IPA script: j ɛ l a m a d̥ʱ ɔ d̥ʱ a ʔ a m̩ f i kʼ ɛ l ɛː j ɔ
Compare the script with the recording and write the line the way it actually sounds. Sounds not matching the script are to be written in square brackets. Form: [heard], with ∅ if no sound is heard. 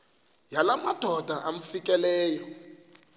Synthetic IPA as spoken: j [a] l a m a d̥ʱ ɔ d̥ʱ a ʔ a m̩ f i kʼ ɛ l ɛː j ɔ